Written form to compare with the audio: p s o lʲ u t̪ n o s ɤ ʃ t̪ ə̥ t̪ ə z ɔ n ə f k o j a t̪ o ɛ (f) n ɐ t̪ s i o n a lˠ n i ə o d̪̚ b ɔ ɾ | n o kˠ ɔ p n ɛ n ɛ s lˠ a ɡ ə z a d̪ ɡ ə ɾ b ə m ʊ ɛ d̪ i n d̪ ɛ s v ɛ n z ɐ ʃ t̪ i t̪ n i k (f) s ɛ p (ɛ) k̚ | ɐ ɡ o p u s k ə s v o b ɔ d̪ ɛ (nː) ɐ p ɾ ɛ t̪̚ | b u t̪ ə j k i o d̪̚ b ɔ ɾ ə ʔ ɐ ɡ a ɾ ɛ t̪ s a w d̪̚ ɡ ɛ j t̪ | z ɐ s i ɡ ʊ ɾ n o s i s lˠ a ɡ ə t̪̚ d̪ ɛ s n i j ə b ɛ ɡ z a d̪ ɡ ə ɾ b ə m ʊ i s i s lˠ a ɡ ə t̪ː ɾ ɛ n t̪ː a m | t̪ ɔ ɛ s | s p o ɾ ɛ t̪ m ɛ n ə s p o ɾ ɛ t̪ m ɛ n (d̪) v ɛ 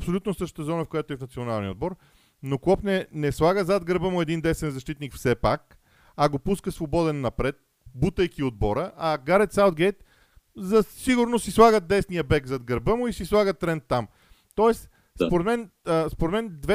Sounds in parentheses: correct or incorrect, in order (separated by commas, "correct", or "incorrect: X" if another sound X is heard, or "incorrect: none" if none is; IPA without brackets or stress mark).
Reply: correct, correct, incorrect: a, correct, correct